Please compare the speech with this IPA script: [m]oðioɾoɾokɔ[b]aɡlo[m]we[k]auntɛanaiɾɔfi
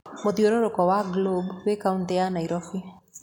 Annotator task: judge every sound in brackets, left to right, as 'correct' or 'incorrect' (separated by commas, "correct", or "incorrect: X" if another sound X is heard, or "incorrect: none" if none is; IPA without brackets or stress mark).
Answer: correct, incorrect: w, incorrect: b, correct